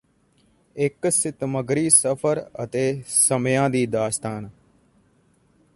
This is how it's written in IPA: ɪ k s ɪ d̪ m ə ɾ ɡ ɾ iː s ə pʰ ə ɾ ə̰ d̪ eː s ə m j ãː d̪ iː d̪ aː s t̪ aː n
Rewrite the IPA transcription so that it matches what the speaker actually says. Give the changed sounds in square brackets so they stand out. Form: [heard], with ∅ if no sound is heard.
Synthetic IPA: ɪ k s ɪ [t̪] m ə [∅] ɡ ɾ iː s ə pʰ ə ɾ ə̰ [t̪] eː s ə m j ãː d̪ iː d̪ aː s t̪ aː n